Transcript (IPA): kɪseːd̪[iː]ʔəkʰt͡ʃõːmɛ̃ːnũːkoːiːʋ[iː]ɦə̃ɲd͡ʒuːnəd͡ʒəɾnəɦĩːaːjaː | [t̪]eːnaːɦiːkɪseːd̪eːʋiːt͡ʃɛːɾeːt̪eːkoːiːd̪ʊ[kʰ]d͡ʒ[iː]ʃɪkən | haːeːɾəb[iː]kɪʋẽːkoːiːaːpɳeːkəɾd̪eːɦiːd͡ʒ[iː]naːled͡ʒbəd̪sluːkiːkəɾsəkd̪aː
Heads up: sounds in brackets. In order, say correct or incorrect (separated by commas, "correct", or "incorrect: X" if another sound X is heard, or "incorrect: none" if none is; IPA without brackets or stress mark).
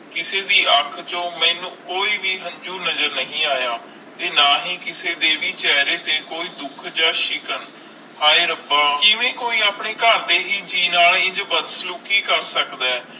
correct, correct, correct, correct, incorrect: aː, incorrect: aː, correct